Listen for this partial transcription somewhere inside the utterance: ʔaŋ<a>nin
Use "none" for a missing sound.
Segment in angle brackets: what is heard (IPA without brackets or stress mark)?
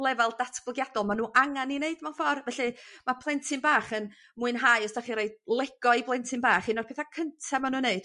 a